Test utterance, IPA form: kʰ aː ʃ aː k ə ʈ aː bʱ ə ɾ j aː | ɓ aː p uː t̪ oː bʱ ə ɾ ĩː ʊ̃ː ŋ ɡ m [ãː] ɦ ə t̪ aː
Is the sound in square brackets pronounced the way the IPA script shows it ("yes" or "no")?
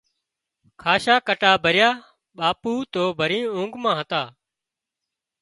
yes